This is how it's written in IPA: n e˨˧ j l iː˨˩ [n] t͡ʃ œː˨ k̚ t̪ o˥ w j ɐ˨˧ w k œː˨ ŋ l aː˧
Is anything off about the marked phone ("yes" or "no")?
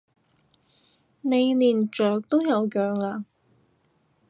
no